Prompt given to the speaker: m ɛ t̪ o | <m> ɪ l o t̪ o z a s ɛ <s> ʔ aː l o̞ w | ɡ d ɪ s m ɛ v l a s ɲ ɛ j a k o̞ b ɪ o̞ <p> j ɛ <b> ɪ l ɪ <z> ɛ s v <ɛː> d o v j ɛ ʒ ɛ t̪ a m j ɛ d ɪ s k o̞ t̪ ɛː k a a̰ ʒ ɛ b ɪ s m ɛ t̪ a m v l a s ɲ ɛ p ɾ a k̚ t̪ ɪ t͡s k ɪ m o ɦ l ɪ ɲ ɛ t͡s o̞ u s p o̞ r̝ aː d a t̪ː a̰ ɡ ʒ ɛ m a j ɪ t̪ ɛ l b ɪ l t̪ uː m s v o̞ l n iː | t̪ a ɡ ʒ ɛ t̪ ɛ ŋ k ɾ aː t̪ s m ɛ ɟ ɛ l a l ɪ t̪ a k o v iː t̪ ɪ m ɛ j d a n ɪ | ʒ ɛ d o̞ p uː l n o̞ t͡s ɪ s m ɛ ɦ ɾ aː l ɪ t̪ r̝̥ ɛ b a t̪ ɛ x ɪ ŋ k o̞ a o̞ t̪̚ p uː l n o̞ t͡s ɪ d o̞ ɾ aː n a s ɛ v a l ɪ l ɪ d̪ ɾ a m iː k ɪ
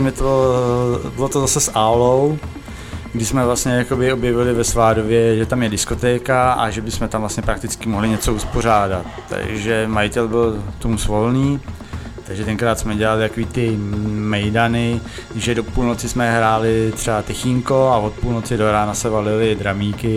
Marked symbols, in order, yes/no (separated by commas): no, yes, no, no, no, no